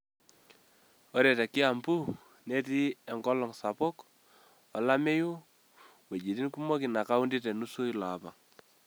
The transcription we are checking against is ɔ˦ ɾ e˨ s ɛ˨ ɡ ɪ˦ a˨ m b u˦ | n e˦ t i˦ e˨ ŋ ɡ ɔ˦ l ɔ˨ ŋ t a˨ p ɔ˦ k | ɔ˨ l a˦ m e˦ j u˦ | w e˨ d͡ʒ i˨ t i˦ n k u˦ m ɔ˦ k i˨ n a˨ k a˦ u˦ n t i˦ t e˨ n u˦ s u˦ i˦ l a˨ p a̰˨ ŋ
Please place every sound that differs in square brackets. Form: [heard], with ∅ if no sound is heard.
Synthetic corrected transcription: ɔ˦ ɾ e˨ [t] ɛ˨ [k] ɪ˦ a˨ m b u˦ | n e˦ t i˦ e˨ ŋ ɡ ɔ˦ l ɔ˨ ŋ [s] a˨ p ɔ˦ k | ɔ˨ l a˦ m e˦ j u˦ | w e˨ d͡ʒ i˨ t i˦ n k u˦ m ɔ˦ k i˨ n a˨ k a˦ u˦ n [d] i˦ t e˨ n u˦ s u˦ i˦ l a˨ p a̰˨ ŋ